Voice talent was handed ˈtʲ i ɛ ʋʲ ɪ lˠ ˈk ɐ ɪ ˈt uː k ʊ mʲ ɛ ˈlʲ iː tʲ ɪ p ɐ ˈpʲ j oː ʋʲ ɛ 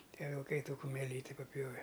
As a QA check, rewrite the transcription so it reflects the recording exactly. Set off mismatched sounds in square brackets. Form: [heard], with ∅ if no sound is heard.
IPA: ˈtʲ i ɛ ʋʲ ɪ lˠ ˈk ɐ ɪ ˈt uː k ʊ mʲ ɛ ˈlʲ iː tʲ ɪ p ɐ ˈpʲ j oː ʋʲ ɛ